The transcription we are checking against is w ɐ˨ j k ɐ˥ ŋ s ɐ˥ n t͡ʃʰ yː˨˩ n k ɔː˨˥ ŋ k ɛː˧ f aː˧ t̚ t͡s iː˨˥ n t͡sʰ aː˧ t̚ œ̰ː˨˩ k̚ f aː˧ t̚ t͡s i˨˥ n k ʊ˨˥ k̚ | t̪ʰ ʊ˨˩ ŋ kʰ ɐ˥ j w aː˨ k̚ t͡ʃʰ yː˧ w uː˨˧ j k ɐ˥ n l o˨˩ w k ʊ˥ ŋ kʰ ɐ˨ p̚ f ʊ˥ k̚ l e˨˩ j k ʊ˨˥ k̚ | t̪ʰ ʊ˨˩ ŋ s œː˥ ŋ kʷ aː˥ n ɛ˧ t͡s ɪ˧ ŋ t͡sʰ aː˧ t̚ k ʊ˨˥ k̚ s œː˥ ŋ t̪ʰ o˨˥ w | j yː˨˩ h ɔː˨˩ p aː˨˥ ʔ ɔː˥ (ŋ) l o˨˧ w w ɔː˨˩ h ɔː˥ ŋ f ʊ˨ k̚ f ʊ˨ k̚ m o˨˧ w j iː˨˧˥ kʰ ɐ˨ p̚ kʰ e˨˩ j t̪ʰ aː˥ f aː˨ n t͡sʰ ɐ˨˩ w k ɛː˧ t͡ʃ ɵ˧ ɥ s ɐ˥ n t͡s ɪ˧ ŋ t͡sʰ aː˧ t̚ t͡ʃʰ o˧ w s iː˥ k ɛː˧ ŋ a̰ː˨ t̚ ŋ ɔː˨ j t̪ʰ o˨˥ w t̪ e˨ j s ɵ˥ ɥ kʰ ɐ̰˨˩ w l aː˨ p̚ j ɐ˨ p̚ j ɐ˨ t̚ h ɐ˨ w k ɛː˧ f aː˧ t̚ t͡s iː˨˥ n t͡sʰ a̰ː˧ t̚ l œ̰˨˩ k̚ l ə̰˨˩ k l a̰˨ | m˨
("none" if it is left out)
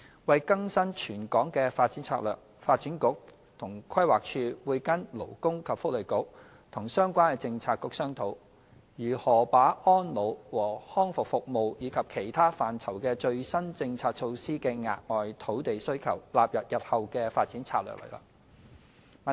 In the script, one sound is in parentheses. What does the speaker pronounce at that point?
n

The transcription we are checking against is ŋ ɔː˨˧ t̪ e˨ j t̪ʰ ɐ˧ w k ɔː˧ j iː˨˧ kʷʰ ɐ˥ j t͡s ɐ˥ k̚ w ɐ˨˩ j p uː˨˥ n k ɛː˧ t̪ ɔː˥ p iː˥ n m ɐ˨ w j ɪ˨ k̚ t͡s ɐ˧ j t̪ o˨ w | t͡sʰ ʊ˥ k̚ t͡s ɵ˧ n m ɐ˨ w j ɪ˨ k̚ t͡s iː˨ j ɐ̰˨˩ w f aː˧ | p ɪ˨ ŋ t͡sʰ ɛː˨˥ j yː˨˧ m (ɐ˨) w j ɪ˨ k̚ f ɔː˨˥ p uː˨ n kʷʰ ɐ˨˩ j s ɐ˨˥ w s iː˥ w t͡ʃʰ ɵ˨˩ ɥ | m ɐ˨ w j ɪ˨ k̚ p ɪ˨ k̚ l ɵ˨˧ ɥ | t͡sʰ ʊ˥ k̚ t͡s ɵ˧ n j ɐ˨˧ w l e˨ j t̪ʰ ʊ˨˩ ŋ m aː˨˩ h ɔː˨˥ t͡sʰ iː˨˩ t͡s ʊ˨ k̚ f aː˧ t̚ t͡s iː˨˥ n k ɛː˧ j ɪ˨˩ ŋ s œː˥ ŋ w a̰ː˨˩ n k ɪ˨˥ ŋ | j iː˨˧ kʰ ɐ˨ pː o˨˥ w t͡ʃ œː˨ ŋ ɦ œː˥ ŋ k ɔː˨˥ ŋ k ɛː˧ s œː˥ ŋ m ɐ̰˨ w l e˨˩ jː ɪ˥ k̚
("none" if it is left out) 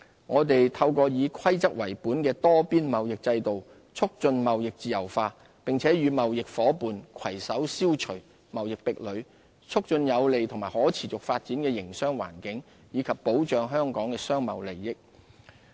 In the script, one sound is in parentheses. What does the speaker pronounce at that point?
ɐ˨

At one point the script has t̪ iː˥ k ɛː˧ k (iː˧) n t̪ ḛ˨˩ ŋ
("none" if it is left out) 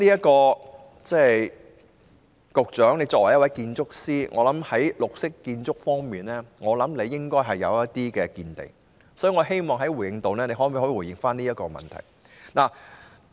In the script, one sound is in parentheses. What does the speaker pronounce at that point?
iː˧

